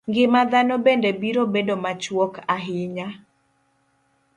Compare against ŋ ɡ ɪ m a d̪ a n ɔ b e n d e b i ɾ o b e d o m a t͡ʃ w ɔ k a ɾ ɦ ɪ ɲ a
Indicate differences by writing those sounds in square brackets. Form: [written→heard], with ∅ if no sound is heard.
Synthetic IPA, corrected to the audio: ŋ ɡ ɪ m a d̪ a n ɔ b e n d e b i ɾ o b e d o m a t͡ʃ w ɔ k a [ɾ→∅] ɦ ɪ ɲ a